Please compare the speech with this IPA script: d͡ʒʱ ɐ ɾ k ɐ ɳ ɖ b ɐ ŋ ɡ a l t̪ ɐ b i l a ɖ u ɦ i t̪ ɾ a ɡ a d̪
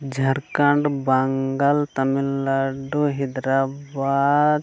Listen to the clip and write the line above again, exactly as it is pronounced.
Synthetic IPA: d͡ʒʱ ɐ ɾ k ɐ ɳ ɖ b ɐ ŋ ɡ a l t̪ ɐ m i l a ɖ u ɦ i d̪ ɾ a b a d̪